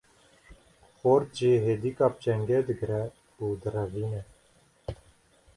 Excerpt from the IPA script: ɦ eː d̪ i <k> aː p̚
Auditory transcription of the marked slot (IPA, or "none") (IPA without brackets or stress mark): k